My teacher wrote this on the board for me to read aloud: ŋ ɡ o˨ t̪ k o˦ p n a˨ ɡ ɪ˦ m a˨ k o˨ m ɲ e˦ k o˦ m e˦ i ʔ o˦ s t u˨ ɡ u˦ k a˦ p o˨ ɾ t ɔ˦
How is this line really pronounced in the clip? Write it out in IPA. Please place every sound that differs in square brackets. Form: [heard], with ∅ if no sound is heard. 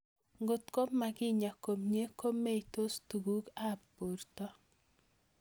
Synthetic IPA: ŋ ɡ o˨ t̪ k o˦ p [m] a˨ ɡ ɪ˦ [ɲ] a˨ k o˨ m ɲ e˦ k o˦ m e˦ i [t] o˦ s t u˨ ɡ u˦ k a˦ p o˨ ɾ t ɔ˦